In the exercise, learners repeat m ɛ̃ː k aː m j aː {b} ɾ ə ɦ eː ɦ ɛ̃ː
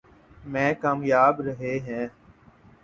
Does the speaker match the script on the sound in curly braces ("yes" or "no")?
yes